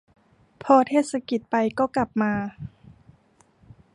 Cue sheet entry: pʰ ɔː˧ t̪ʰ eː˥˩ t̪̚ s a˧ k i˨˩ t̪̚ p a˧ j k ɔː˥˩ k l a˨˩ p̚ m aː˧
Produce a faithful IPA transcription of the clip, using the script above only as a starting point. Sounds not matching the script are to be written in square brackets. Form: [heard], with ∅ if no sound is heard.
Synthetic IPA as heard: pʰ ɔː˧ t̪ʰ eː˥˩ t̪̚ s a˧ k i˨˩ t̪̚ p a˧ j k ɔː˥˩ k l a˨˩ p̚ m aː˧